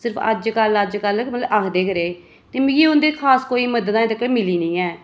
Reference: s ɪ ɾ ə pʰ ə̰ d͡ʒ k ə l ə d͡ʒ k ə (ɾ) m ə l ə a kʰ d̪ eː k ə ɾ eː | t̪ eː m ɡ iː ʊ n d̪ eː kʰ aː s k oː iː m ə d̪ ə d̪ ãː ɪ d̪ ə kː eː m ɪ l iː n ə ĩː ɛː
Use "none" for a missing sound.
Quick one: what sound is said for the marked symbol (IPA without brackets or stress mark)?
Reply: l